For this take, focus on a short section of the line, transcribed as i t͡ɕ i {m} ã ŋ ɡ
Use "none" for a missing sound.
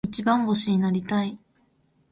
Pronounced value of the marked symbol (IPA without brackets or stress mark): b